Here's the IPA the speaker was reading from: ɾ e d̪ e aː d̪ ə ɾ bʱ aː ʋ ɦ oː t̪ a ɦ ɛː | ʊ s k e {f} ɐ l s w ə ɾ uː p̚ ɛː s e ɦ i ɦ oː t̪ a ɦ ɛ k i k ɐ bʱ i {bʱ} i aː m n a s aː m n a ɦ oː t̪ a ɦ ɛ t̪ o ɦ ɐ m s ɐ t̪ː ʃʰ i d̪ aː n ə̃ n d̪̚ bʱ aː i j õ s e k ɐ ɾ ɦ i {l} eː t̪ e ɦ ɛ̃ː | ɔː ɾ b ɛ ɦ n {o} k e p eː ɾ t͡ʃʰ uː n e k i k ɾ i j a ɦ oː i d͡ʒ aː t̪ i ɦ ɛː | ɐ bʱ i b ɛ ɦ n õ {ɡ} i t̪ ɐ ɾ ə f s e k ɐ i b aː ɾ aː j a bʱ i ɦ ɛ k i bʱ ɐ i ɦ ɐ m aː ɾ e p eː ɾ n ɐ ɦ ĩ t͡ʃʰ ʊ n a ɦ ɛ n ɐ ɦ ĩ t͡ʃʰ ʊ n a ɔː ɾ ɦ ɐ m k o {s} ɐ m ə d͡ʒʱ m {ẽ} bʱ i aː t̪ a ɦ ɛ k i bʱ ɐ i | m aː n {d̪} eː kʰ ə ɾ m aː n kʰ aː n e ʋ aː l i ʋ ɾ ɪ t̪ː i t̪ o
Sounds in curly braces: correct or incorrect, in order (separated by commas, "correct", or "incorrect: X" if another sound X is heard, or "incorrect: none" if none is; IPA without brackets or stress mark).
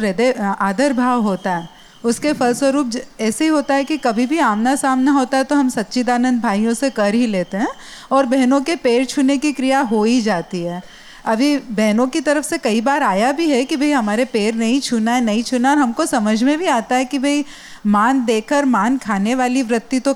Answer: correct, correct, correct, incorrect: õ, incorrect: k, correct, correct, correct